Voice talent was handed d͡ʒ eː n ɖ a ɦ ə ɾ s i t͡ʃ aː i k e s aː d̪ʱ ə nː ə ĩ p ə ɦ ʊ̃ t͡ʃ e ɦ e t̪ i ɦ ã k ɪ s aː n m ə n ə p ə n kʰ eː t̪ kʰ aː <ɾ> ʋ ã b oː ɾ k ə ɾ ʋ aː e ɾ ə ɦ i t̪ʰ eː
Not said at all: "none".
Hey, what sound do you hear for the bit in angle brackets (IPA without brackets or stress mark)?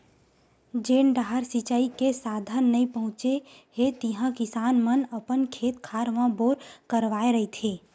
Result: ɾ